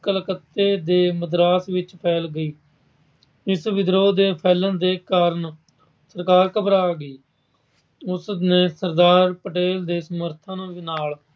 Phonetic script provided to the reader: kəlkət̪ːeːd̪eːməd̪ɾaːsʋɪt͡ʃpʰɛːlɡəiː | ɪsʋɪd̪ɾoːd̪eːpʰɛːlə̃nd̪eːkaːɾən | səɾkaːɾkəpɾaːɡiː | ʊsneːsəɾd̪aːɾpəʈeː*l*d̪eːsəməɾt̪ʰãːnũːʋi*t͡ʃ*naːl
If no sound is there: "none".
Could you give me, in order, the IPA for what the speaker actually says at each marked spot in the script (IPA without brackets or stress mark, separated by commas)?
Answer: l, none